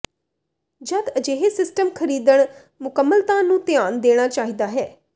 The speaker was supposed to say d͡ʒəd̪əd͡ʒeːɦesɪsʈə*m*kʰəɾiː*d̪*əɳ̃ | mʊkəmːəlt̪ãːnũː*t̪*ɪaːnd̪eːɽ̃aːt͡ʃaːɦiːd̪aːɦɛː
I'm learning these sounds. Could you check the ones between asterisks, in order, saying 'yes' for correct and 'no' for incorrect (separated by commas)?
yes, yes, yes